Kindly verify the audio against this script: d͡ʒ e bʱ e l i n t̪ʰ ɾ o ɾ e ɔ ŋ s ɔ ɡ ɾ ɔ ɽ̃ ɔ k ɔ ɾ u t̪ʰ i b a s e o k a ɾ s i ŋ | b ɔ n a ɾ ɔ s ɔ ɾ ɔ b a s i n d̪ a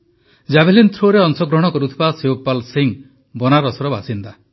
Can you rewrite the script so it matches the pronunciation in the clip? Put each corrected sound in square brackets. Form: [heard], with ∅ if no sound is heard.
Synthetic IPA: d͡ʒ [a] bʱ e l i n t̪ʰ ɾ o ɾ e ɔ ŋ s ɔ ɡ ɾ ɔ ɽ̃ ɔ k ɔ ɾ u t̪ʰ i b a s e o [p] a [l] s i ŋ | b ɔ n a ɾ ɔ s ɔ ɾ ɔ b a s i n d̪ a